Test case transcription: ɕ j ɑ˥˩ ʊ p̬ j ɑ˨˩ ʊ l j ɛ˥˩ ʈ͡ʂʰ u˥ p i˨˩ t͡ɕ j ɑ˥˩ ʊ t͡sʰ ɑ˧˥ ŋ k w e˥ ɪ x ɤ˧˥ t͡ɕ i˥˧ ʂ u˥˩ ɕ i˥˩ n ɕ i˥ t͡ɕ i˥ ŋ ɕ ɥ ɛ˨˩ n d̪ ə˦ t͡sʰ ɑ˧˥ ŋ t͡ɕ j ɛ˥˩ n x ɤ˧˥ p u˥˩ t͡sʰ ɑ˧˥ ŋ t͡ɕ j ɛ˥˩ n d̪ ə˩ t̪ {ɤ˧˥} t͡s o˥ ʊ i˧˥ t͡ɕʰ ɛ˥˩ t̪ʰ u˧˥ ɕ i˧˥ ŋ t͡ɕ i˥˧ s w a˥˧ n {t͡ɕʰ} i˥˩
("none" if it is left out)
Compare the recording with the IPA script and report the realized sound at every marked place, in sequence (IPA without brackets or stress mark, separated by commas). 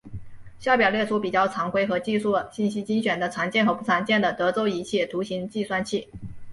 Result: ɤ˧˥, t͡ɕʰ